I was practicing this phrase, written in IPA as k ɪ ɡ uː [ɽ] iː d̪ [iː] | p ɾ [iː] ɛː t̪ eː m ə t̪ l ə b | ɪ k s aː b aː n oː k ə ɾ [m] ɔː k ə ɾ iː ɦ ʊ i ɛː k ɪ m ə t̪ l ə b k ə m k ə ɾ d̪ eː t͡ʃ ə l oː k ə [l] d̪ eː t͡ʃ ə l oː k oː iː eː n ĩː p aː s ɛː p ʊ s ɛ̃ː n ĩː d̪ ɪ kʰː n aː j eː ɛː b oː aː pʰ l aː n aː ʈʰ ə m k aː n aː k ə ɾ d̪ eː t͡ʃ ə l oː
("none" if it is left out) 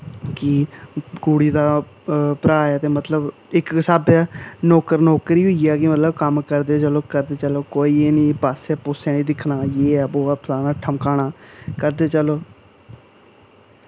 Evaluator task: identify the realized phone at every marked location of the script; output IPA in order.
ɽ, aː, aː, n, ɾ

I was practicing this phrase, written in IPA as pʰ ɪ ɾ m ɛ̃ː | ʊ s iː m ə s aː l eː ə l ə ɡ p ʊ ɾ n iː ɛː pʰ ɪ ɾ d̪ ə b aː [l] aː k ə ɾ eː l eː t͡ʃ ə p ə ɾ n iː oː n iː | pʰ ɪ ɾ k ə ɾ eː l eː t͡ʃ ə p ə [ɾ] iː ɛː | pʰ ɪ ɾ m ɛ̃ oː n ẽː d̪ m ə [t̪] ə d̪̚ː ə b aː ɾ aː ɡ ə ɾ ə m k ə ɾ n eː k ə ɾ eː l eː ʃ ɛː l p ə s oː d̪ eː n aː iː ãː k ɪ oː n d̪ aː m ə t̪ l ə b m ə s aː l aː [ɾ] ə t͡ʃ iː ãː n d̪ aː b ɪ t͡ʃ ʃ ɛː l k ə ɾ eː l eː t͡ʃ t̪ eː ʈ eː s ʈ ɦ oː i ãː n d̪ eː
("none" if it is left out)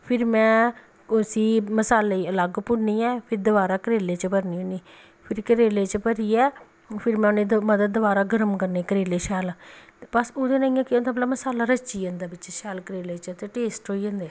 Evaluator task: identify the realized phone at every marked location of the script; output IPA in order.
ɾ, ɾ, d̪, ɾ

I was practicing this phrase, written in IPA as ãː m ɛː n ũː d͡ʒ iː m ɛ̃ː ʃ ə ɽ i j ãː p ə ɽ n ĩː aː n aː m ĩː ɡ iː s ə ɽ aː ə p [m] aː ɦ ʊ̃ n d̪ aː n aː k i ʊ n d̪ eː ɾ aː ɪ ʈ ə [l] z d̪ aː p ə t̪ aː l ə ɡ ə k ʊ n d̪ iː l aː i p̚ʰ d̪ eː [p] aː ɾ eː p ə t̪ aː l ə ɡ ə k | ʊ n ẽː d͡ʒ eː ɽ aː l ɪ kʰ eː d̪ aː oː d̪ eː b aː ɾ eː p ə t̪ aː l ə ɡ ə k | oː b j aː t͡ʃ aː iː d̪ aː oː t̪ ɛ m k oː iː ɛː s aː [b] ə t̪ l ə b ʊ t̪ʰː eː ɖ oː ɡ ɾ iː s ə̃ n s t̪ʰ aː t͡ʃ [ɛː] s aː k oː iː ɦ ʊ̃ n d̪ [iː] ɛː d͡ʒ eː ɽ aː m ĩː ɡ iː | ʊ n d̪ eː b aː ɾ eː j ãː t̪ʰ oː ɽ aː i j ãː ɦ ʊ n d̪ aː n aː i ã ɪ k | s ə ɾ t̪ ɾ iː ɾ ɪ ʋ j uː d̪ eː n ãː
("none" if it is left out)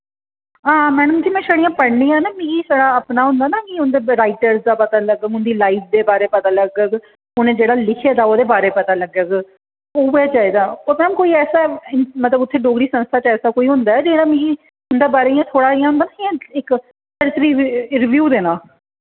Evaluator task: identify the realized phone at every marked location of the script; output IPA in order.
n, ɾ, b, m, ɛː, aː

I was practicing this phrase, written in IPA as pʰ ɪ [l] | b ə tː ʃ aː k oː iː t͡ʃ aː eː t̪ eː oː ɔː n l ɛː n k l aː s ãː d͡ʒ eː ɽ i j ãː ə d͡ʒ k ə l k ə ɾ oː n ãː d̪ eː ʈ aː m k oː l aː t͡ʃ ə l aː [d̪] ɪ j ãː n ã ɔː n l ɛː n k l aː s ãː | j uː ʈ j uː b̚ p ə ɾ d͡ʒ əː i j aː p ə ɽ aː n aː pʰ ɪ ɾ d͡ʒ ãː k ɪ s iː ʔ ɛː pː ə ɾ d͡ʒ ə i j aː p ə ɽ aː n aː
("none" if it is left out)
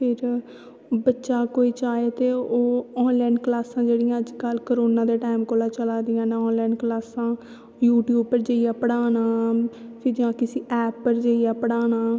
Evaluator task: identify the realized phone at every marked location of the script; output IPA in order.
ɾ, d̪

